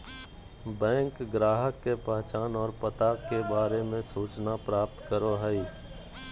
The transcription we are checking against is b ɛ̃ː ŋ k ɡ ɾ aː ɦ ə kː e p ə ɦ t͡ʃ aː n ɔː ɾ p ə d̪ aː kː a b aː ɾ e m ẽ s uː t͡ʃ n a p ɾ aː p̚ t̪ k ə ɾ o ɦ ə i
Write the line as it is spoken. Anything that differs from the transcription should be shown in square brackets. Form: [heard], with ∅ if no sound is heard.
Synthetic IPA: b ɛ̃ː ŋ k ɡ ɾ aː ɦ ə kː e p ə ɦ t͡ʃ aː n ɔː ɾ p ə [t̪] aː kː [e] b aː ɾ e m ẽ s uː t͡ʃ n a p ɾ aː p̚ t̪ k ə ɾ o ɦ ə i